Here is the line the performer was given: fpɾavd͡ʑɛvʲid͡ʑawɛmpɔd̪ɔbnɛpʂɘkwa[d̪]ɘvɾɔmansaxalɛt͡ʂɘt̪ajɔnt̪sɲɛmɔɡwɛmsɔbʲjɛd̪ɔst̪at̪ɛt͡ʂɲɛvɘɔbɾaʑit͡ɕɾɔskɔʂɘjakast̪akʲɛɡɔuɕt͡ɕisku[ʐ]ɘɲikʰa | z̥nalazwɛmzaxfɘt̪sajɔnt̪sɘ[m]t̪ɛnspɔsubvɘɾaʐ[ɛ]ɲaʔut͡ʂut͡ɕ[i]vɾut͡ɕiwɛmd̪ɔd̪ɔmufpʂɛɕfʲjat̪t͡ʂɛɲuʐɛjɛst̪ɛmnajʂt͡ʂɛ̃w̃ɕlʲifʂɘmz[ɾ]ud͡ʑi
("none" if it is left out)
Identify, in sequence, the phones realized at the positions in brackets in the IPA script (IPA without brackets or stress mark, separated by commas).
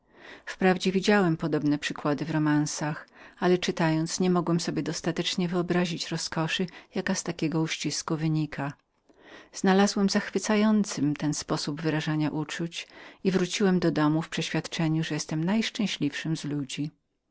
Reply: d̪, v, m, a, i, l